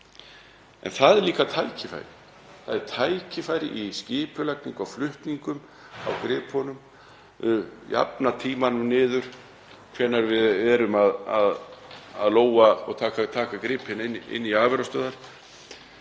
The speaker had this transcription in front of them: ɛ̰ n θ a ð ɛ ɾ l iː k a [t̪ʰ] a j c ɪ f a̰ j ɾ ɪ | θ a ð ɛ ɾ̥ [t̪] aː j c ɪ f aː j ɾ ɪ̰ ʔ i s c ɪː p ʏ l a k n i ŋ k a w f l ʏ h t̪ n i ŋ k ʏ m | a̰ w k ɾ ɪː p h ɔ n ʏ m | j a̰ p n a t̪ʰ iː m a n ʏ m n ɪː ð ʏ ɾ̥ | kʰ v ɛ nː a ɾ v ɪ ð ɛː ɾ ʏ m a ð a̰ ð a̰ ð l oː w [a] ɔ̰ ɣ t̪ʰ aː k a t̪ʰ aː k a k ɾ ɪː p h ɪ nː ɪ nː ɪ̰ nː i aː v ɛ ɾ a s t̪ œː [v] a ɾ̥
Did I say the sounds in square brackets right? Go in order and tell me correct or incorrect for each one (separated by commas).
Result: correct, incorrect, correct, incorrect